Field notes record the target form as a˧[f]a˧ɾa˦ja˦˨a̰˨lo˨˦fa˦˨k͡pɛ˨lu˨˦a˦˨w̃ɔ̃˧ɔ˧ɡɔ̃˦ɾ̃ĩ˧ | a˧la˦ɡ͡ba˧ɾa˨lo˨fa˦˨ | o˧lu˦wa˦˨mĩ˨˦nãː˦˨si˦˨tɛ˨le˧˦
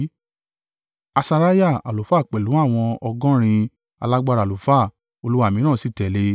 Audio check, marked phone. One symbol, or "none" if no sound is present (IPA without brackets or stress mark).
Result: s